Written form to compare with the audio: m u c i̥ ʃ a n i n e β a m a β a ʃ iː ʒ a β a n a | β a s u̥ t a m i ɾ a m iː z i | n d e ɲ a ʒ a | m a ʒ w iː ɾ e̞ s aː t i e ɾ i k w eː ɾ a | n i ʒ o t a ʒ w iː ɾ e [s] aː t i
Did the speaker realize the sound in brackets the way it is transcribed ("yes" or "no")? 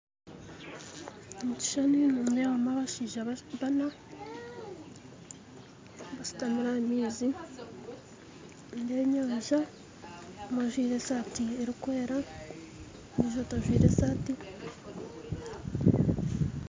yes